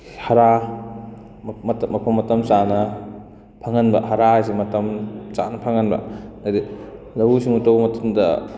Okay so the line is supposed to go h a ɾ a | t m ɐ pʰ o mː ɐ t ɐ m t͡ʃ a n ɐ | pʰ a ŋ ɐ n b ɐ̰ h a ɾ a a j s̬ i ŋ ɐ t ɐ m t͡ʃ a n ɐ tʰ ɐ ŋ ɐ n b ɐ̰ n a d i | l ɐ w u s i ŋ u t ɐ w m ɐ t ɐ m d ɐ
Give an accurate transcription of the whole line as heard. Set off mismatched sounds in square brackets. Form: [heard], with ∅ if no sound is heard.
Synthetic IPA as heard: h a ɾ a | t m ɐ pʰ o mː ɐ t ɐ m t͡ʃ a n ɐ | pʰ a ŋ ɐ n b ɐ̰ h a ɾ a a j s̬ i [m] ɐ t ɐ m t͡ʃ a n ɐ [pʰ] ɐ ŋ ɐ n b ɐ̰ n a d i | l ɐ w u s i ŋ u t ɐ w m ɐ t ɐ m d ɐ